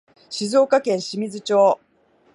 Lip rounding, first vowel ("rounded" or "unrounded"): unrounded